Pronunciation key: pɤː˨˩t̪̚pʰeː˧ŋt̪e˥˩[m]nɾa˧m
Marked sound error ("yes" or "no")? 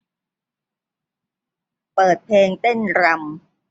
yes